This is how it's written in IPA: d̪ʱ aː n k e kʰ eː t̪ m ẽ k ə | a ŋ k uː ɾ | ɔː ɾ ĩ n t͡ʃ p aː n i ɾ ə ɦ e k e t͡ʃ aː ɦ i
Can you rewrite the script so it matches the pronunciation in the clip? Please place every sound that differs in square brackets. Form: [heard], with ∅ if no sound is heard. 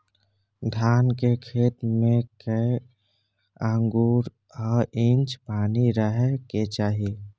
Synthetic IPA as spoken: d̪ʱ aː n k e kʰ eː t̪ m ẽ k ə | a ŋ [ɡ] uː ɾ | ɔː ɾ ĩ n t͡ʃ p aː n i ɾ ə ɦ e k e t͡ʃ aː ɦ i